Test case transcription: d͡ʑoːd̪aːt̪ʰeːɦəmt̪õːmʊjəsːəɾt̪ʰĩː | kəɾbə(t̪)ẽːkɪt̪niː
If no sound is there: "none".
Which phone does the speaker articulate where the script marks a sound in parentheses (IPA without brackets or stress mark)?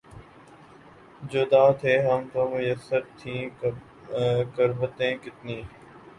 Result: t̪